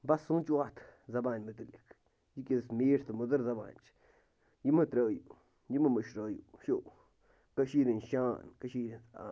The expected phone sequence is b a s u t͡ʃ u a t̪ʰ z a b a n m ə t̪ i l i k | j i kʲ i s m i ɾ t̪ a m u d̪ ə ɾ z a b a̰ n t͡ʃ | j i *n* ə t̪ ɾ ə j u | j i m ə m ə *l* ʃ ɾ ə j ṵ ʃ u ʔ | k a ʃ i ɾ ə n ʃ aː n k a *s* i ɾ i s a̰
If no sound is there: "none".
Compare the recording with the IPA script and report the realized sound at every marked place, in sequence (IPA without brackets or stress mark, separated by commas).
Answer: m, none, ʃ